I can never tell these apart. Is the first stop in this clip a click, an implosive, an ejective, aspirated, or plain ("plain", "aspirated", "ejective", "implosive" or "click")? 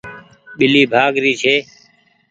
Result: implosive